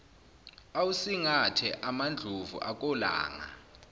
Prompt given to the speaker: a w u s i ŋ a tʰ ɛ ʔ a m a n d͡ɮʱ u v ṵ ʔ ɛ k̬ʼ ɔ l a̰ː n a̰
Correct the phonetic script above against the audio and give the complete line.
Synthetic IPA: a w u s i ŋ a tʰ ɛ ʔ a m a n d͡ɮʱ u v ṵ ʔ a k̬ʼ ɔ l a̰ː ŋ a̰